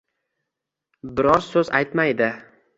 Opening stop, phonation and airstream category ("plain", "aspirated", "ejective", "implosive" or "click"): plain